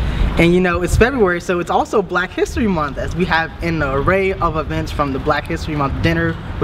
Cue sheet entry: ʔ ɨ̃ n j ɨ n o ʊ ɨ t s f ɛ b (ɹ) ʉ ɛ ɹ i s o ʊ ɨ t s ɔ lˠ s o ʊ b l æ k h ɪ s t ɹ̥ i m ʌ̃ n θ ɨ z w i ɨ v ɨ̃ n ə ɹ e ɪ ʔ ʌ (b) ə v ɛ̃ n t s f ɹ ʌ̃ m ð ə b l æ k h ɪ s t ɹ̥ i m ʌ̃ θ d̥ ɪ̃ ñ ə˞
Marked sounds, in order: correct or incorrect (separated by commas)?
correct, incorrect